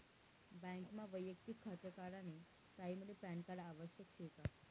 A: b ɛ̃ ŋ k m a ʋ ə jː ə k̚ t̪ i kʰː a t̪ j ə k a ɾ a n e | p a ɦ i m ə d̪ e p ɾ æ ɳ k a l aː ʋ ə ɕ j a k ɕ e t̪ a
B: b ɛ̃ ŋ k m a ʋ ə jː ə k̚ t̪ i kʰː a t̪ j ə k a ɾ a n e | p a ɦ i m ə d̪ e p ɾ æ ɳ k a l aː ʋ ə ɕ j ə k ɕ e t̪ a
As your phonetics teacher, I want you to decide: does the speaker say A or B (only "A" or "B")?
B